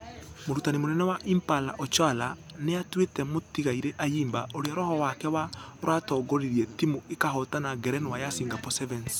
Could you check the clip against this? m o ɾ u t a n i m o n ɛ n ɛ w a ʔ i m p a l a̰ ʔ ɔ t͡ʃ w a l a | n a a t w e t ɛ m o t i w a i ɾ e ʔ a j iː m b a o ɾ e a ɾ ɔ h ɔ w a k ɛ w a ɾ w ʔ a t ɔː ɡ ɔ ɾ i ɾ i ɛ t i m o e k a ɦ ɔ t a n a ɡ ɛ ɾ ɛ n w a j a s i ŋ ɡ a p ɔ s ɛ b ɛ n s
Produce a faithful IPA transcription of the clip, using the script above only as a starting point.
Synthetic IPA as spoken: m o ɾ u t a n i m o n ɛ n ɛ w a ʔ i m p a l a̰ ʔ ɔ t͡ʃ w a l a | n e a t w e t ɛ m o t i ɣ a i ɾ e ʔ a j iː m b a o ɾ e a ɾ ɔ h ɔ w a k ɛ w a ɾ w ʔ a t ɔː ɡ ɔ ɾ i ɾ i ɛ t i m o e k a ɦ ɔ t a n a ɡ ɛ ɾ ɛ n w a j a s i ŋ ɡ a p ɔ s ɛ v ɛ n s

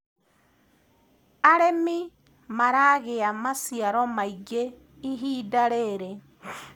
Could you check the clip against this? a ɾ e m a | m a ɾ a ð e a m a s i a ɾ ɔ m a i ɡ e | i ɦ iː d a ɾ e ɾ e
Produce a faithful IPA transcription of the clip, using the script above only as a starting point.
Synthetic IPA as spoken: a ɾ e m i | m a ɾ a ɣ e a m a s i a ɾ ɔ m a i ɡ e | i ɦ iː d a ɾ e ɾ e

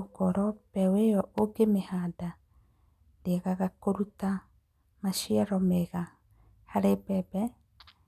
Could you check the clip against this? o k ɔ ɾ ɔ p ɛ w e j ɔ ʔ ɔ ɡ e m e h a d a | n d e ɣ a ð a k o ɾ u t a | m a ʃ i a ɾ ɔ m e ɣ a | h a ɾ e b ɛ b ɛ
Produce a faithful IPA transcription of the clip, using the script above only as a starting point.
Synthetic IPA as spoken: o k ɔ ɾ ɔ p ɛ w e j ɔ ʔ o ɡ e m e h a d a | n d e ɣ a ɣ a k o ɾ u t a | m a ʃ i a ɾ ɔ m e ɣ a | h a ɾ e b ɛ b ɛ

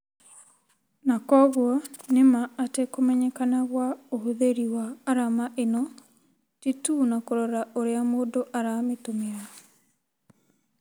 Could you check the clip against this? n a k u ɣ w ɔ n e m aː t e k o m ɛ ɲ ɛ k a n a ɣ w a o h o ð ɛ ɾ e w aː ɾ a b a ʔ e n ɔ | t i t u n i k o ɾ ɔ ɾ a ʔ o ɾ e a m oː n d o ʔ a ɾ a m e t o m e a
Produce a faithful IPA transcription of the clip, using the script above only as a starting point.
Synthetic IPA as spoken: n a k ɔ ɣ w ɔ n e m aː t e k o m ɛ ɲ ɛ k a n a ɣ w a o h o ð e ɾ i w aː ɾ a m a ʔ e n ɔ | t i t u n a k o ɾ ɔ ɾ a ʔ o ɾ e a m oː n d o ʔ a ɾ a m e t o m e a

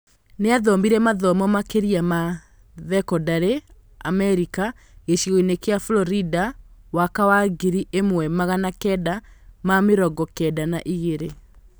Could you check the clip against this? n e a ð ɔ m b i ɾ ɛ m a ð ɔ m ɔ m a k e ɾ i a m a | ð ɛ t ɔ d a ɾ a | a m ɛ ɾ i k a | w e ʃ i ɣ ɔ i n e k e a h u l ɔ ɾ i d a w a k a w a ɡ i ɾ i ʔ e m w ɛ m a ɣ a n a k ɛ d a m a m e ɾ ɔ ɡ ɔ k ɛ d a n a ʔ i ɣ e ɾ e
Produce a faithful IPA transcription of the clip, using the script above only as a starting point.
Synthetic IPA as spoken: n e a ð ɔ m b i ɾ ɛ m a ð ɔ m ɔ m a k e ɾ i a m a | ð ɛ k ɔ d a ɾ e | a m ɛ ɾ i k a | ɣ e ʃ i ɣ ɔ i n e k e a f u l ɔ ɾ i d a w a k a w a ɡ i ɾ i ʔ e m w ɛ m a ɣ a n a k ɛ d a m a m e ɾ ɔ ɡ ɔ k ɛ d a n a ʔ i ɣ e ɾ e

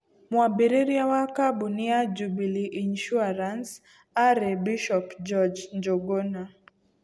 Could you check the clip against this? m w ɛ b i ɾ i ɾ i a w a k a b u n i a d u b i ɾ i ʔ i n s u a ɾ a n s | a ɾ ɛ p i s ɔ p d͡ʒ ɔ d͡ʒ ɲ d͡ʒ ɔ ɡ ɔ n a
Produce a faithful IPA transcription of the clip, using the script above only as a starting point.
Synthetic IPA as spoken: m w a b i ɾ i ɾ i a w a k a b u n i a d͡ʒ u b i l i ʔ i n ʃ u a ɾ a n s | a ɾ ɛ b i ʃ ɔ p d͡ʒ ɔ d͡ʒ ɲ d͡ʒ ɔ ɡ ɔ n a

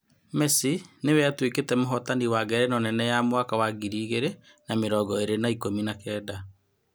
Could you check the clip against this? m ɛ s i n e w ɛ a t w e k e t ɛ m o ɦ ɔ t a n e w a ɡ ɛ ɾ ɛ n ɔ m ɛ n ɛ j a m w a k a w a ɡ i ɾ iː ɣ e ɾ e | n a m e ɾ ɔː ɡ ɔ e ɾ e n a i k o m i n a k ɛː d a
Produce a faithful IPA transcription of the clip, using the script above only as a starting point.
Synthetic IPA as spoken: m ɛ s i n e w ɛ a t w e k e t ɛ m o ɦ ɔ t a n i w a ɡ ɛ ɾ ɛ n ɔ n ɛ n ɛ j a m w a k a w a ɡ i ɾ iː ɣ e ɾ e | n a m e ɾ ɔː ɡ ɔ e ɾ e n a i k o m i n a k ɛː d a

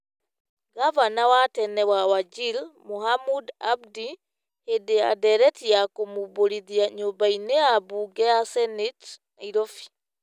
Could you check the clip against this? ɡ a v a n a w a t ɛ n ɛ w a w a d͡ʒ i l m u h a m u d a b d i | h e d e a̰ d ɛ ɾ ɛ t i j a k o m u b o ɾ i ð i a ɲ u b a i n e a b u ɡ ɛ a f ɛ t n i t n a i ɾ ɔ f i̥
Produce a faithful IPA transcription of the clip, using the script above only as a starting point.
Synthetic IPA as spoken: ɡ a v a n a w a t ɛ n ɛ w a w a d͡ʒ i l m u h a m u d a b d i | h e d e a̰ d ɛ ɾ ɛ t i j a k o m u b o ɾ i ð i a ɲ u b a i n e a b u ɡ ɛ a s ɛ n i t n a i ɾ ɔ f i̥

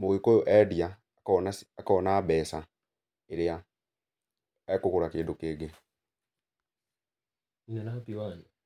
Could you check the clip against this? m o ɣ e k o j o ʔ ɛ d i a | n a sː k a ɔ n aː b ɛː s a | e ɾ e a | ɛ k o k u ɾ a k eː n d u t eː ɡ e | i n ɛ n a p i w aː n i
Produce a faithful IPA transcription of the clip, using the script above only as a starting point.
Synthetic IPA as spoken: m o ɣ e k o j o ʔ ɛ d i a | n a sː k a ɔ n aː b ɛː s a | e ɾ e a | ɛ k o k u ɾ a k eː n d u k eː ɡ e | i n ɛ n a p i w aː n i

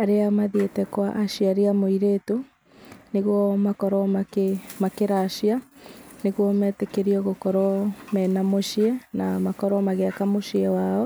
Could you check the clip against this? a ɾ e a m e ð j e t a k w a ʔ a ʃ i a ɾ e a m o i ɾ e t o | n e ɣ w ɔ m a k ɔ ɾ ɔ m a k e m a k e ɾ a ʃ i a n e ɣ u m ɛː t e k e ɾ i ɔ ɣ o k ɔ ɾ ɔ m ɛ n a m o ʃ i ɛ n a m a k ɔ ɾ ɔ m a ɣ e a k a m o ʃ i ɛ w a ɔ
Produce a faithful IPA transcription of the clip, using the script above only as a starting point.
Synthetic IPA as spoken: a ɾ e a m a ð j e t ɛ k w a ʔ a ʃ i a ɾ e a m o i ɾ e t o | n e ɣ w ɔ m a k ɔ ɾ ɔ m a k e m a k e ɾ a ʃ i a n e ɣ ɔ m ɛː t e k e ɾ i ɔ ɣ o k ɔ ɾ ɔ m ɛ n a m o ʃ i ɛ n a m a k ɔ ɾ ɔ m a ɣ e a k a m o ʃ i ɛ w a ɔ

